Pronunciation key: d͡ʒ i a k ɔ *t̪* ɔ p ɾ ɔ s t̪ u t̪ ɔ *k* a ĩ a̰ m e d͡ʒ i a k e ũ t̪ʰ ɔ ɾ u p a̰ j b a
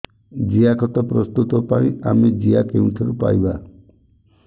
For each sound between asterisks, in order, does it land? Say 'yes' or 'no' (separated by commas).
yes, no